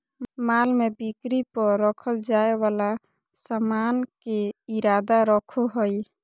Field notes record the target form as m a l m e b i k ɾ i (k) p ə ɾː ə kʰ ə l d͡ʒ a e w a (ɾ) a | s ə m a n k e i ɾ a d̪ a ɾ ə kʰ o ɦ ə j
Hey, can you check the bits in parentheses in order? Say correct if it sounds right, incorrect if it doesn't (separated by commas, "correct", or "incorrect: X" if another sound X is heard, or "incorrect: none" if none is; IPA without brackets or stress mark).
incorrect: none, incorrect: l